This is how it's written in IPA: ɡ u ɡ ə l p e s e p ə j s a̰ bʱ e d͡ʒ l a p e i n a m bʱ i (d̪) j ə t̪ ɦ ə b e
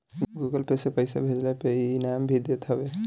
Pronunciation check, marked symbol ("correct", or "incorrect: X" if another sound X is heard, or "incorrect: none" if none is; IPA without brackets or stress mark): correct